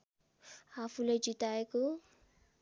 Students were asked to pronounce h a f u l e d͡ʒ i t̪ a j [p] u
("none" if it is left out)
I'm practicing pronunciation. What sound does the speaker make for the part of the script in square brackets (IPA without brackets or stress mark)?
k